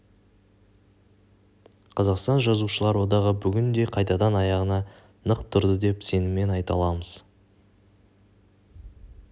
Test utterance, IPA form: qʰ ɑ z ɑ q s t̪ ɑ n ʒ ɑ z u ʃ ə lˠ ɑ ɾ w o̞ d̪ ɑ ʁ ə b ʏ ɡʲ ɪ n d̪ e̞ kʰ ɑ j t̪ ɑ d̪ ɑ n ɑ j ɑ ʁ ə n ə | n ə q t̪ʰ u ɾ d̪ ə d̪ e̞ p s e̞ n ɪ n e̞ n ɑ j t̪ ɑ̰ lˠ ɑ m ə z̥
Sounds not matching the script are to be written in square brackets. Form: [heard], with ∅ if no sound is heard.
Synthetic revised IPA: qʰ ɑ z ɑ q s t̪ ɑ n ʒ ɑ z u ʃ ə lˠ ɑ ɾ w o̞ d̪ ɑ ʁ ə b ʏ ɡʲ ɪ n d̪ e̞ [qʰ] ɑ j t̪ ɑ d̪ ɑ n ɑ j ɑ ʁ ə n [ɑ] | n ə q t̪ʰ [ʊ] ɾ d̪ ə d̪ e̞ p s e̞ n ɪ [m] e̞ n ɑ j t̪ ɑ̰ lˠ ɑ m ə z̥

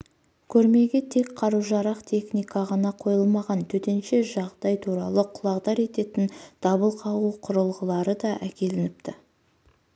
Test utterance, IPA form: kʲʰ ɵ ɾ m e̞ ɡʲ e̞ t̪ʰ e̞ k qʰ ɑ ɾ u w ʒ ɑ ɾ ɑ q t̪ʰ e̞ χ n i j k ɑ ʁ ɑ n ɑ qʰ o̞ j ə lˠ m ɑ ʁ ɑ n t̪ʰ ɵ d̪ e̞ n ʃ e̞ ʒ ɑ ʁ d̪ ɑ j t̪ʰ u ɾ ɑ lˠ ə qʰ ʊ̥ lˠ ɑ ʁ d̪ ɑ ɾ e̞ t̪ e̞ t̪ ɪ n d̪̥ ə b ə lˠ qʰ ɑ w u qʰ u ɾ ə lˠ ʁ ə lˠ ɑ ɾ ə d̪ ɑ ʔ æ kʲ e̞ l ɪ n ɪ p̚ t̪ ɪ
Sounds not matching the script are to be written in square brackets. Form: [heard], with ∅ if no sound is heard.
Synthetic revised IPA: kʲʰ ɵ ɾ m e̞ ɡʲ e̞ t̪ʰ e̞ k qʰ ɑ ɾ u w ʒ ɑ ɾ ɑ q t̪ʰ e̞ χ n i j k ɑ ʁ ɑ n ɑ qʰ o̞ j ə lˠ m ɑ ʁ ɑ n t̪ʰ ɵ [t̪] e̞ n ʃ e̞ ʒ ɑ ʁ d̪ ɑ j t̪ʰ u ɾ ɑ lˠ ə qʰ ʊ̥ lˠ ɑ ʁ d̪ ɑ ɾ e̞ t̪ e̞ t̪ ɪ n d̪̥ [ɑ] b ə lˠ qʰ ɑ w u qʰ [ʊ] ɾ ə lˠ ʁ ə lˠ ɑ ɾ ə d̪ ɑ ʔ æ kʲ e̞ l ɪ n ɪ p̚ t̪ ɪ

